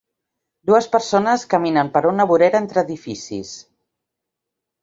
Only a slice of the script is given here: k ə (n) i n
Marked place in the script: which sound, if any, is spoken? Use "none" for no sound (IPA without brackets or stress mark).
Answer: m